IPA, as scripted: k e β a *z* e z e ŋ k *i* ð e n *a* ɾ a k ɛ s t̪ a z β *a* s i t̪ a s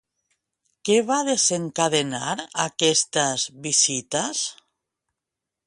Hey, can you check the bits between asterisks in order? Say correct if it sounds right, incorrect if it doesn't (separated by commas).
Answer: incorrect, incorrect, correct, incorrect